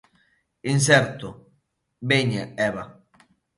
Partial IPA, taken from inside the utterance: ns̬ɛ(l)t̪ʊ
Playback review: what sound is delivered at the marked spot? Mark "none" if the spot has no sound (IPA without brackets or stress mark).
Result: ɾ